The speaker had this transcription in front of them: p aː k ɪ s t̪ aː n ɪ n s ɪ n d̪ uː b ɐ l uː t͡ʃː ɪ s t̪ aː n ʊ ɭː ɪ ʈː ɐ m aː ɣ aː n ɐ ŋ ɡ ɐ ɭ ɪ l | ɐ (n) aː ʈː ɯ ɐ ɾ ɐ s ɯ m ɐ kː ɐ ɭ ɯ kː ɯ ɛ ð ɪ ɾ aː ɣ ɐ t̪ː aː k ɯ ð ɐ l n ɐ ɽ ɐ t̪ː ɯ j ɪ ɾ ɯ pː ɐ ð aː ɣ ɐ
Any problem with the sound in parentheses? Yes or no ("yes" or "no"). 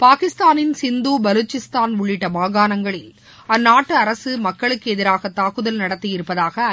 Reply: yes